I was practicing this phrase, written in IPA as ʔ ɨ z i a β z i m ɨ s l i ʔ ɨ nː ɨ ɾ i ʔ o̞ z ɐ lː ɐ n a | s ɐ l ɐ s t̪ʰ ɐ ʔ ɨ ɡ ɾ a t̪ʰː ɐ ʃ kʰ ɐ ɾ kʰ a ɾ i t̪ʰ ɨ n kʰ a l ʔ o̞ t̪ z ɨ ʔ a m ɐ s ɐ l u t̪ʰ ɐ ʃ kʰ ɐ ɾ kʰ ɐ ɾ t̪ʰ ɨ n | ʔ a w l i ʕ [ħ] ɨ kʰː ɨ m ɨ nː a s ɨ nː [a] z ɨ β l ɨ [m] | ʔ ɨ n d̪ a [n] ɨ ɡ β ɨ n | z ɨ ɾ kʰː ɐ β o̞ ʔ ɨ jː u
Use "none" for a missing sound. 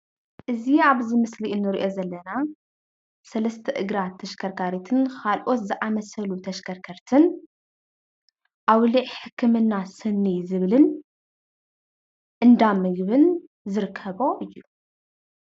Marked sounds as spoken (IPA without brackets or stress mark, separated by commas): ħ, i, n, m